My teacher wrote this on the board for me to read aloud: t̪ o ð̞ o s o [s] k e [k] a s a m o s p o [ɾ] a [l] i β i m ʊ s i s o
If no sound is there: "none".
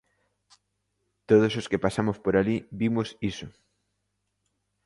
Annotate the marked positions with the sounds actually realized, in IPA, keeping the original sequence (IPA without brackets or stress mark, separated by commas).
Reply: s, p, ɾ, l